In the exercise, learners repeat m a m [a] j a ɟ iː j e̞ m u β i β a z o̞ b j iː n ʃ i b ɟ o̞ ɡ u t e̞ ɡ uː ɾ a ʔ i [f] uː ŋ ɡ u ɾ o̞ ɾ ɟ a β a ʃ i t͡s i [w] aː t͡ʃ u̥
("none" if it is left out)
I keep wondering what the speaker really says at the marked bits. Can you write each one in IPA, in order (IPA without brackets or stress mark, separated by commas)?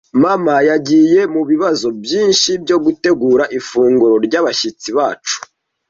a, f, β